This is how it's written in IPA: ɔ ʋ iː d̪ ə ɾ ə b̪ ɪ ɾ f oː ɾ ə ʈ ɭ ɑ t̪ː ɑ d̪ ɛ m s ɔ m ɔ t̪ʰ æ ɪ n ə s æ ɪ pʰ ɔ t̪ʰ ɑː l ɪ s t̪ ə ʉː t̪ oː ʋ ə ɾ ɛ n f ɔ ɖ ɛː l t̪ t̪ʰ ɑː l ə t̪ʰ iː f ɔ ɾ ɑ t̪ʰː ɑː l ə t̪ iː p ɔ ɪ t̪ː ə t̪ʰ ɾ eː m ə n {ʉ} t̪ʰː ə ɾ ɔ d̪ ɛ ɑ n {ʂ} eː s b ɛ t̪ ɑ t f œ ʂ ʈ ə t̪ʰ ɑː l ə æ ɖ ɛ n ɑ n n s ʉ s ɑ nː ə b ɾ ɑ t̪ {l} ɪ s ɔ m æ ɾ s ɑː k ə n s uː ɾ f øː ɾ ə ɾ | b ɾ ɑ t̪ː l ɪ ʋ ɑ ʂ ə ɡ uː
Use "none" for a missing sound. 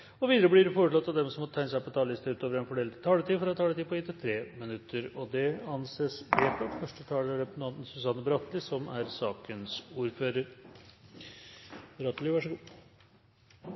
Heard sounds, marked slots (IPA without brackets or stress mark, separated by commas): ʉ, s, l